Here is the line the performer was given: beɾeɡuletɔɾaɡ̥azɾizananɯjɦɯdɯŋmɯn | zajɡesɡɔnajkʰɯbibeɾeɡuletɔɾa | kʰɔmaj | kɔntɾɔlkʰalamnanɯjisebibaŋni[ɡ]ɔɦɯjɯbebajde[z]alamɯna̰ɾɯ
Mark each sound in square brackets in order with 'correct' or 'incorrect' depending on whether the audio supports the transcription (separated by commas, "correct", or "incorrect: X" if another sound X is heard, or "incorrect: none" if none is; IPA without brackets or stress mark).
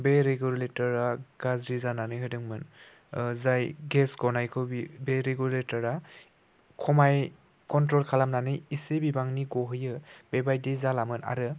correct, correct